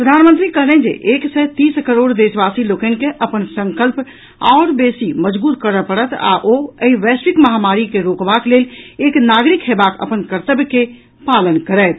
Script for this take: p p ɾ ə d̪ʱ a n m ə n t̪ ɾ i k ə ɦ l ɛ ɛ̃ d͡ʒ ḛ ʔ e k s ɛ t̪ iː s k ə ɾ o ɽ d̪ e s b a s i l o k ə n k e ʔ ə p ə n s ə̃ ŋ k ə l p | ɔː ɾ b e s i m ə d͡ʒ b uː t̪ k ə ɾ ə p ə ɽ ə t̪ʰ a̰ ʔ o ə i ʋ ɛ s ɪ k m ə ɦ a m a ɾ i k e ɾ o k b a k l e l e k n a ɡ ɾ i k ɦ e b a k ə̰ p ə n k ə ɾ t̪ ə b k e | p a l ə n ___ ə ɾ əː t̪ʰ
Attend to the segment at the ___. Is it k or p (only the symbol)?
k